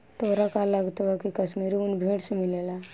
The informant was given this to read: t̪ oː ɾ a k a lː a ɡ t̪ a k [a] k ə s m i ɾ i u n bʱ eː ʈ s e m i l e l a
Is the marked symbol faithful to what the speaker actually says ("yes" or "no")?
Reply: no